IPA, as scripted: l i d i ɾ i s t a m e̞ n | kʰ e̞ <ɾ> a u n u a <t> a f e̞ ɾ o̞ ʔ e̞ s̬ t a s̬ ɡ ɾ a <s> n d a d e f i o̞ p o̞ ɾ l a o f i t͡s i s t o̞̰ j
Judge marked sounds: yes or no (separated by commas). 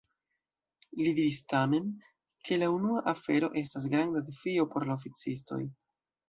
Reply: no, no, no